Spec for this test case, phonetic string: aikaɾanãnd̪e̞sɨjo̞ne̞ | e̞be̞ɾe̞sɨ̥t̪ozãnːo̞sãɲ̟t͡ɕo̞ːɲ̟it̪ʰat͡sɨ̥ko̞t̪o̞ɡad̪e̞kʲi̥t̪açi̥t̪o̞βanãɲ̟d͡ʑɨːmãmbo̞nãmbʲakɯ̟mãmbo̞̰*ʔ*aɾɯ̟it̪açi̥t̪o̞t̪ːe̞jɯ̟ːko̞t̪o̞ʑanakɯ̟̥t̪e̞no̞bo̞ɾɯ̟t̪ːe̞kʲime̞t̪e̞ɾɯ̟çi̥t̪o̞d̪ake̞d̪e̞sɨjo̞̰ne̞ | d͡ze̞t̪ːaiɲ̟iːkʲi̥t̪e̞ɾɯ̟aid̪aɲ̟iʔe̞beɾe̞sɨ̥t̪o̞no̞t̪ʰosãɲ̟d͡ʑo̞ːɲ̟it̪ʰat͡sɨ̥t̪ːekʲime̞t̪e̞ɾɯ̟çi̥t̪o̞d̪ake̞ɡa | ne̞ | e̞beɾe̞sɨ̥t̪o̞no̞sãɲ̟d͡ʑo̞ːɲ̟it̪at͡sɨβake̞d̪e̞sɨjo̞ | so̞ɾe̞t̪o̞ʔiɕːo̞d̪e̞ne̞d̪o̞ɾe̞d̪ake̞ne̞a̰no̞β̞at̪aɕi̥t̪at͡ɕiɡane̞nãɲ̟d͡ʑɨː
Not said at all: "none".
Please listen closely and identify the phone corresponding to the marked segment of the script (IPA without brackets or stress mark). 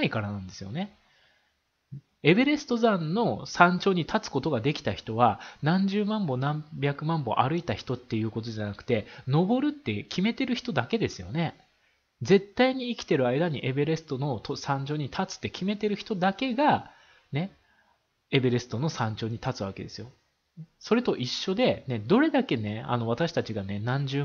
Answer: ʔ